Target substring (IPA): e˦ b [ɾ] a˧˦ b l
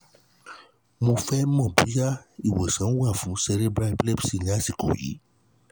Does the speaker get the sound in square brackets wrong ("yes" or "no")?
no